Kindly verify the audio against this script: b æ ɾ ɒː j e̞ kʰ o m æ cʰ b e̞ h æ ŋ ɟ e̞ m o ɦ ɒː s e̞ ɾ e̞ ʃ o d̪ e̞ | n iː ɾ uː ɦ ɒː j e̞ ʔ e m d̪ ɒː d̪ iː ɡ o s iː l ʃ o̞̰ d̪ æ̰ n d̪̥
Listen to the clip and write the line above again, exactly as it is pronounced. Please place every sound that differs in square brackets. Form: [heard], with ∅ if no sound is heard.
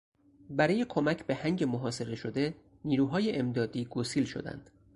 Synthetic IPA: b æ ɾ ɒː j e̞ kʰ o m æ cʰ b e̞ h æ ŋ ɟ e̞ m o ɦ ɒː s e̞ ɾ e̞ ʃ o d̪ e̞ | n iː ɾ uː ɦ ɒː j e̞ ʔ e m d̪ ɒː d̪ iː ɡ o s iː l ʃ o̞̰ d̪ æ̰ n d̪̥